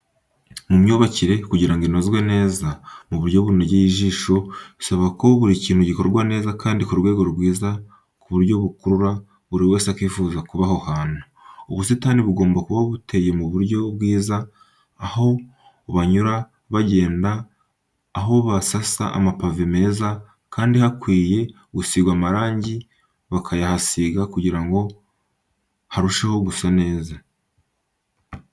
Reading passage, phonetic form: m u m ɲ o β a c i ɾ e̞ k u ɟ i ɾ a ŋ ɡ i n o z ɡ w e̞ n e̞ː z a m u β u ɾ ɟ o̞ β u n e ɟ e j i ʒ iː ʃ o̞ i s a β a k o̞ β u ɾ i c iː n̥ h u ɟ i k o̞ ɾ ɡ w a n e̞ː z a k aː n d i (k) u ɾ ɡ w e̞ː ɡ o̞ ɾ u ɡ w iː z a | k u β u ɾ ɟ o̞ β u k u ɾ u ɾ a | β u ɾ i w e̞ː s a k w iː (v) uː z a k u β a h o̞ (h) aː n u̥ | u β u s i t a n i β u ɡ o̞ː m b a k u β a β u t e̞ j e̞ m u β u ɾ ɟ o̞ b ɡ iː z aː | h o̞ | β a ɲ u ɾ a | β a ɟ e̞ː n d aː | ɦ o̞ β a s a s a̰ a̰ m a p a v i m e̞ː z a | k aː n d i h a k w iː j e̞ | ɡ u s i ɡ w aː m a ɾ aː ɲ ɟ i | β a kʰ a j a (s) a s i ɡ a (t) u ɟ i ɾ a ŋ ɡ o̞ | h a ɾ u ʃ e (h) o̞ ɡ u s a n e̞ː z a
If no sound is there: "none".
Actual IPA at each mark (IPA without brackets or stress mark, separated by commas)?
k, f, h, h, k, h